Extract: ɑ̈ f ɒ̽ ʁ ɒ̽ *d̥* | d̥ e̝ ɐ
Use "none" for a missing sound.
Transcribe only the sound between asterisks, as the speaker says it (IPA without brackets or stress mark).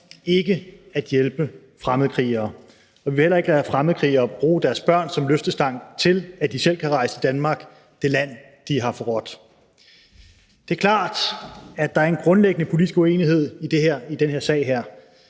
d̥